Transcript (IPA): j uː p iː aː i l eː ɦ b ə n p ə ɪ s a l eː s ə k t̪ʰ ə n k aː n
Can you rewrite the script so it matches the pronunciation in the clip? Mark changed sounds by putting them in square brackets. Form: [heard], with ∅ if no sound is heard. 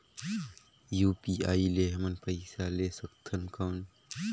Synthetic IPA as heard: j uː p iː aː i l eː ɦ [m] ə n p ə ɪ s a l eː s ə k t̪ʰ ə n k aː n